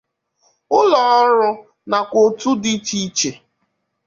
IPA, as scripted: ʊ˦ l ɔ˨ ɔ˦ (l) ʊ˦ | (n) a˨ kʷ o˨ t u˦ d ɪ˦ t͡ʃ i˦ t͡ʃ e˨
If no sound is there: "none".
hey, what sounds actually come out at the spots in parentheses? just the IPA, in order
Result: ɾ, n

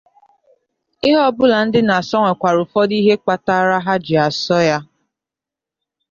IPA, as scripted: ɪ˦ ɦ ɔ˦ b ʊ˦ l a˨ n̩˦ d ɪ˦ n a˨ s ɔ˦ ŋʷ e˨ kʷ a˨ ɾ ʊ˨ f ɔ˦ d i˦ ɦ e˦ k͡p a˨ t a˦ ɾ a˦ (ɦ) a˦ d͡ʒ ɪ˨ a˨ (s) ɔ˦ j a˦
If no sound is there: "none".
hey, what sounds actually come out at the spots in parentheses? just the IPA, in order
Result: ɦ, s

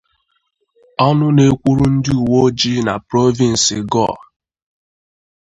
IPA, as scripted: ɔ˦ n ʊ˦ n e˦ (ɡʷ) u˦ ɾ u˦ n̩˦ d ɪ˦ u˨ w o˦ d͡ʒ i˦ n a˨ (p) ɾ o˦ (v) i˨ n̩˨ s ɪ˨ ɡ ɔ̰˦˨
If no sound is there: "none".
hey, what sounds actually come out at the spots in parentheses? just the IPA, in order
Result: kʷ, p, v

